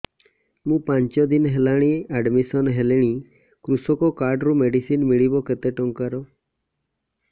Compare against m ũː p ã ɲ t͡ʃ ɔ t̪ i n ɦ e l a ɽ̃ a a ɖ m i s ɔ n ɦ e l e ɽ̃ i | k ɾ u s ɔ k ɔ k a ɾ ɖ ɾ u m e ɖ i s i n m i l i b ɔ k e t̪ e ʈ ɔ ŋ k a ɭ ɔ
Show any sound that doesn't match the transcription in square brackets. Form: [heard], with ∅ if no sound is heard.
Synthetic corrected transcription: m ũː p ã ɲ t͡ʃ ɔ [d̪] i n ɦ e l a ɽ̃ [i] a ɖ m i s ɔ n ɦ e l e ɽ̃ i | k ɾ u s ɔ k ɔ k a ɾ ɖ ɾ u m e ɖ i s i n m i [ɭ] i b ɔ k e t̪ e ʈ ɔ ŋ k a [ɾ] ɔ